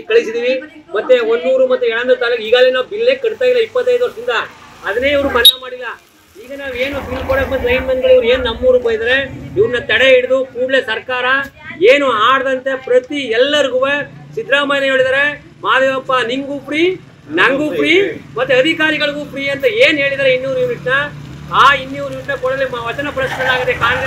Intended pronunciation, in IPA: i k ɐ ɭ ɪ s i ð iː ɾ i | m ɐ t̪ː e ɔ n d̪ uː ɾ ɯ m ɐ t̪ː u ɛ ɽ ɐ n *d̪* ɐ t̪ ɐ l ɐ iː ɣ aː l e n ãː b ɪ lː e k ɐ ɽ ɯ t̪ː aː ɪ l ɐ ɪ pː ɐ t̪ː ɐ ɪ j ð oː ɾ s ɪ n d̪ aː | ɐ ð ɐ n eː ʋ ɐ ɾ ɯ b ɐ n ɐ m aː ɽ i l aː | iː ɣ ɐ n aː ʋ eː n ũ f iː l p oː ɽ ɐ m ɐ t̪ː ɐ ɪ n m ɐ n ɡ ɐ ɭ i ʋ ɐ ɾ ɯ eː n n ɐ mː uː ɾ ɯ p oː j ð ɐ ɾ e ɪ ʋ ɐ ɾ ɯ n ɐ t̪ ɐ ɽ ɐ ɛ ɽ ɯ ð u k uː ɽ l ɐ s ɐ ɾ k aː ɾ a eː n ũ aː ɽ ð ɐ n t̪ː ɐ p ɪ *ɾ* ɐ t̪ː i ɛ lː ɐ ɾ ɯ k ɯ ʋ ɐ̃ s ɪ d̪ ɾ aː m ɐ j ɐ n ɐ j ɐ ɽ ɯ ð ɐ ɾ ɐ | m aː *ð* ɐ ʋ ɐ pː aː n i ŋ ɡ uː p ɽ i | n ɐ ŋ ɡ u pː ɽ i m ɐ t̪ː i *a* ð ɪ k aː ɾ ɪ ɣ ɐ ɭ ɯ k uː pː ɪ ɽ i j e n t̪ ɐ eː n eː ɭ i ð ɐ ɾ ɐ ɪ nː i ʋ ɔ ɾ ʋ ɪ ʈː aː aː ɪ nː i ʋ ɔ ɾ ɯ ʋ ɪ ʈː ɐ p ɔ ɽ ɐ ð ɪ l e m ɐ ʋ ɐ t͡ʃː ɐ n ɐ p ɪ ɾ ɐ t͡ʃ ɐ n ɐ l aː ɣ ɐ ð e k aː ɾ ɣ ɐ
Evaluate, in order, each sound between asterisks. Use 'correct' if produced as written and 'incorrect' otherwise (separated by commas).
correct, correct, correct, incorrect